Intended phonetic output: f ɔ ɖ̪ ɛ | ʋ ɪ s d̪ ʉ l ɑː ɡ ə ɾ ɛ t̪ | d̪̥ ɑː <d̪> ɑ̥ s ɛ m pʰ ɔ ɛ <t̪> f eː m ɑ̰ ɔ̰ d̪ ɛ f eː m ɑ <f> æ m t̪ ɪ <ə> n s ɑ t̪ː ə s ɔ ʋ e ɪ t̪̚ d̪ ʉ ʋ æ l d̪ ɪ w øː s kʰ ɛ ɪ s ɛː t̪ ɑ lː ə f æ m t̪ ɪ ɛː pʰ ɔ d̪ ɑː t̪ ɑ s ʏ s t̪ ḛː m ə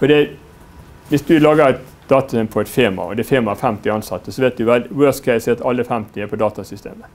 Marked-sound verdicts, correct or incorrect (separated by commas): incorrect, correct, correct, incorrect